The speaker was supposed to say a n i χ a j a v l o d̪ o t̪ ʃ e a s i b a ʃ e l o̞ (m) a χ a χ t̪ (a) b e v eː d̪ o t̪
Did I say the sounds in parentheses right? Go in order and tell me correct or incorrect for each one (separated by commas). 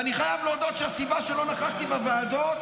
incorrect, incorrect